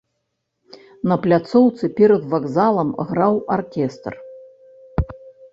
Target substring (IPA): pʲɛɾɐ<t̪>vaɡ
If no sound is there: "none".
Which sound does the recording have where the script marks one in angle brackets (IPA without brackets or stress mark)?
d̪